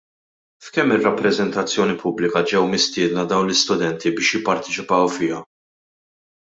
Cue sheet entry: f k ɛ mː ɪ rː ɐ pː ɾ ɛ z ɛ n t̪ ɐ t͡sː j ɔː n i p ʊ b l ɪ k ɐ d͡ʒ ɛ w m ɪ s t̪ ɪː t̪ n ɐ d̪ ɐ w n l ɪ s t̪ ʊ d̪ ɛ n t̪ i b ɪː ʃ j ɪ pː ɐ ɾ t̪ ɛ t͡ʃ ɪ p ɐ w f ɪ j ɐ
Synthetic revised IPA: f k ɛ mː ɪ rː ɐ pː ɾ ɛ z ɛ n t̪ ɐ t͡sː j ɔː n i p ʊ b l ɪ k ɐ d͡ʒ ɛ w m ɪ s t̪ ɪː d̪ n ɐ d̪ ɐ w n l ɪ s t̪ ʊ d̪ ɛ n t̪ i b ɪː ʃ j ɪ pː ɐ ɾ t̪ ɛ t͡ʃ ɪ p ɐ w f ɪ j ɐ

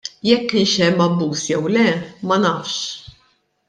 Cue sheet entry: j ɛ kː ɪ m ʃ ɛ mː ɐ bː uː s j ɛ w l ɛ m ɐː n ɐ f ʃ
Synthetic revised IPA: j ɛ kː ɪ n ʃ ɛ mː ɐ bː uː s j ɛ w l ɛ m ɐ n ɐ f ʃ

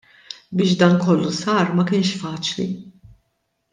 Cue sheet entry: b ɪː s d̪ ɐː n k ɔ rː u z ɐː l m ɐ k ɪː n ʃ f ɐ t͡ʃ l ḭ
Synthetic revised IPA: b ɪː ʃ d̪ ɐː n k ɔ lː u s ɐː ɾ m ɐ k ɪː n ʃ f ɐː t͡ʃ l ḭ

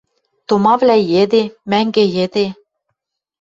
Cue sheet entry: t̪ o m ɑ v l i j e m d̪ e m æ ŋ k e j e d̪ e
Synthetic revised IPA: t̪ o m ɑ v l æ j e d̪ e m æ ŋ ɡ e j e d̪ e

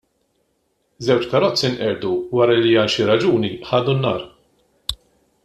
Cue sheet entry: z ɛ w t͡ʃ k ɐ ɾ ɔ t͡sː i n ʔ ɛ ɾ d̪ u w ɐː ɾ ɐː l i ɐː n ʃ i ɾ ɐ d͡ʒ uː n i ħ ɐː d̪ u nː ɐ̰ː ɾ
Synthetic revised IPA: z ɛ w t͡ʃ k ɐ ɾ ɔ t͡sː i n ʔ ɛ ɾ d̪ u w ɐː ɾ ɐ l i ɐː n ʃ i ɾ ɐ d͡ʒ uː n i ħ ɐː d̪ u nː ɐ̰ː ɾ

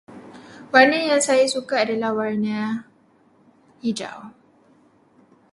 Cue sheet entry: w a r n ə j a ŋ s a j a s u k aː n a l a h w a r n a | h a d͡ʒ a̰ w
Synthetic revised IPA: w a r n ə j a ŋ s a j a s u k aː d a l a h w a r n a | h i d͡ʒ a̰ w

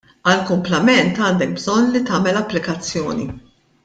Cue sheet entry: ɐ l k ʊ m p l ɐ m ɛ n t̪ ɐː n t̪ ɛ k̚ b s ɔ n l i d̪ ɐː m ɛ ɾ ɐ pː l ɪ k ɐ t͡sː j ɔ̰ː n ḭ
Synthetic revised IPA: ɐ l k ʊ m p l ɐ m ɛ n t̪ ɐː n d̪ ɛ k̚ b z ɔ n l i t̪ ɐː m ɛ l ɐ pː l ɪ k ɐ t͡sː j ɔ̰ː n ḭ

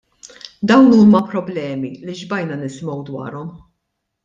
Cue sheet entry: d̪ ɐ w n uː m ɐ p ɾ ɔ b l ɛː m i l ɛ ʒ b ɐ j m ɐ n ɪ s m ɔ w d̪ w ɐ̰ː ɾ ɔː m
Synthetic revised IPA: d̪ ɐ w n uː m ɐ p ɾ ɔ b l ɛː m i l i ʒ b ɐ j n ɐ n ɪ s m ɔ w d̪ w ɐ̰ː ɾ ɔ m

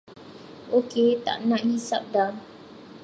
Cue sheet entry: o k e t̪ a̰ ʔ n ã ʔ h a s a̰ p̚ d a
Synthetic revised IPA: o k e t̪ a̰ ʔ n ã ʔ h i s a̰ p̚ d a

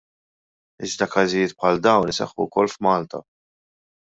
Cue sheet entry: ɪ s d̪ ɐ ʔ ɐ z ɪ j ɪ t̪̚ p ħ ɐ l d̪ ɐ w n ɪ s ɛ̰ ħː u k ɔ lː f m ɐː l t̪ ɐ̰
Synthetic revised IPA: ɪ z d̪ ɐ k ɐ z ɪ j ɪː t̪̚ p ħ ɐ l d̪ ɐ w n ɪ s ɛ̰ ħː u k ɔ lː f m ɐː l t̪ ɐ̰

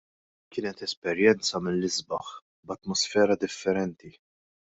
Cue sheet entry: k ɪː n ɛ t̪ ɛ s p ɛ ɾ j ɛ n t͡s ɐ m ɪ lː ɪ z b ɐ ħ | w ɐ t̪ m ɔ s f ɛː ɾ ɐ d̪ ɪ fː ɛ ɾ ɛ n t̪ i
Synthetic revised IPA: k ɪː n ɛ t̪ ɛ s p ɛ ɾ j ɛ n t͡s ɐ m ɪ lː ɪ z b ɐ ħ | b ɐ t̪ m ɔ s f ɛː ɾ ɐ d̪ ɪ fː ɛ ɾ ɛ n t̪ i

